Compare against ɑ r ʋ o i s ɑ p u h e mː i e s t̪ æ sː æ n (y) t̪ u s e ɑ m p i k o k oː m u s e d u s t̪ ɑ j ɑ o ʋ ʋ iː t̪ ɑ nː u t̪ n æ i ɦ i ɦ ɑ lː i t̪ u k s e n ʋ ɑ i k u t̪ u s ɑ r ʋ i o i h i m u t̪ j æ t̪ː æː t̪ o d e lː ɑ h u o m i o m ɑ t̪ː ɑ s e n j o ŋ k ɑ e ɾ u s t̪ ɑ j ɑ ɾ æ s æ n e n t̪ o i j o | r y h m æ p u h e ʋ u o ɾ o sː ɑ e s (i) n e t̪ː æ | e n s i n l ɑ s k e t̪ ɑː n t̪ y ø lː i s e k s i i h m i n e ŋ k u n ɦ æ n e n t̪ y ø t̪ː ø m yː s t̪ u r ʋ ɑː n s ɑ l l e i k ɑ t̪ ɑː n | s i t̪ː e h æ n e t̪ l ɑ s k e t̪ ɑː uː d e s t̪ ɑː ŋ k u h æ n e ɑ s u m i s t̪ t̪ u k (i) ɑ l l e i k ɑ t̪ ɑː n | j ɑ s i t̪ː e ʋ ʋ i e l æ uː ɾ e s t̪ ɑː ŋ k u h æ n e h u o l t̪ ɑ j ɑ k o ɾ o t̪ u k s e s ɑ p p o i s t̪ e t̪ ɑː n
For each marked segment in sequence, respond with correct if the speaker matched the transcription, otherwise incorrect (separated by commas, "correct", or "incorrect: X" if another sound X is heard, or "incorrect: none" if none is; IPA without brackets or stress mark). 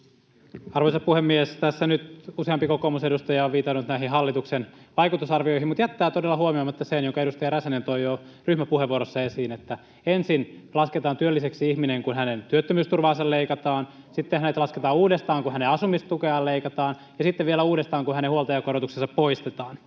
correct, incorrect: iː, incorrect: e